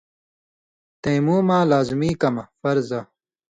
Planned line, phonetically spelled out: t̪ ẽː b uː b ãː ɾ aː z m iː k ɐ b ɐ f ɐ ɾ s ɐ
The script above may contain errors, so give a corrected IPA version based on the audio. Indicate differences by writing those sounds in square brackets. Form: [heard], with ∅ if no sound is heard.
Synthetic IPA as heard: t̪ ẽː [m] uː [m] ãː [l] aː z m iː k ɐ [m] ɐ f ɐ ɾ [z] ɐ